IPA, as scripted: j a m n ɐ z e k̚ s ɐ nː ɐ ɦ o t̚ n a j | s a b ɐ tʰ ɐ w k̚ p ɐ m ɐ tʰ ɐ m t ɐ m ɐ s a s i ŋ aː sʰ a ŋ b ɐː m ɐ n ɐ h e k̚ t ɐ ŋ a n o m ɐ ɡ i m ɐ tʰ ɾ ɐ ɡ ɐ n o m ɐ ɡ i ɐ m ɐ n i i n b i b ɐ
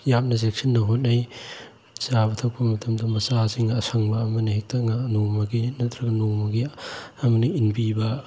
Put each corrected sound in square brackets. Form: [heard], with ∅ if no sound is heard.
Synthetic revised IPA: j a m n ɐ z e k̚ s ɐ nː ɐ ɦ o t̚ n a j | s a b ɐ tʰ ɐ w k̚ p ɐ m ɐ tʰ ɐ m [d] ɐ m ɐ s a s i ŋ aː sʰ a ŋ b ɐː m ɐ n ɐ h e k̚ t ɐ ŋ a n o m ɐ ɡ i [n] ɐ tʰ ɾ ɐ ɡ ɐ n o m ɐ ɡ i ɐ m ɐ n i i n b i b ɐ

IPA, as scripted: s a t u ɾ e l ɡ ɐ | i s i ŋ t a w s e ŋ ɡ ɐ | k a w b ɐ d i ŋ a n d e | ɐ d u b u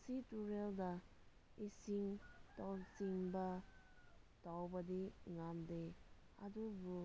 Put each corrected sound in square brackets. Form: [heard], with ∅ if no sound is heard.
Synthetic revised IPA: s [i] t u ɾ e l [d] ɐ | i s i ŋ t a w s [i] ŋ [b] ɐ | [t] a w b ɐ d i ŋ a [m] d e | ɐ d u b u

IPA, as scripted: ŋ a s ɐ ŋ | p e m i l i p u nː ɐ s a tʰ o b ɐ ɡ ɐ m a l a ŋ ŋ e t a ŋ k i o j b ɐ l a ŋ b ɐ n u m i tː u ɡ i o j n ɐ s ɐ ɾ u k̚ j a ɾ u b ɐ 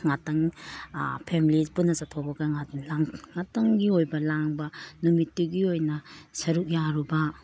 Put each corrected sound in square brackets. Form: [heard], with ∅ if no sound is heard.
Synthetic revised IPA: ŋ a [t] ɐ ŋ | [pʰ] e m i l i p u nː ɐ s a tʰ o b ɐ ɡ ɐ [ŋ] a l a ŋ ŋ [a] t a ŋ [ɡ] i o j b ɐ l a ŋ b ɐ n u m i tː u ɡ i o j n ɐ s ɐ ɾ u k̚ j a ɾ u b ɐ

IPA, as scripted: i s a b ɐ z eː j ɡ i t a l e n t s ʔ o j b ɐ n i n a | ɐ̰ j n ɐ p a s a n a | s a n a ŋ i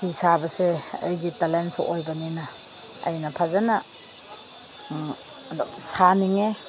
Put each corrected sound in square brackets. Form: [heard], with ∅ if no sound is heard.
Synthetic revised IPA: i s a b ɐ [s] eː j ɡ i t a l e n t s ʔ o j b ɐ n i n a | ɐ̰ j n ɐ [pʰ] a [z] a n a | s a n [i] ŋ [e]

